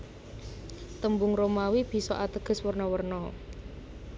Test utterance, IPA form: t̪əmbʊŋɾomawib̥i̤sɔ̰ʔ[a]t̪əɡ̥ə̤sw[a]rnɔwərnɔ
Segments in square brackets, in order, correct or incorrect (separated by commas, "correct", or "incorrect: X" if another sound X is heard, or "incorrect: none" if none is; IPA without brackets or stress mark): correct, incorrect: ə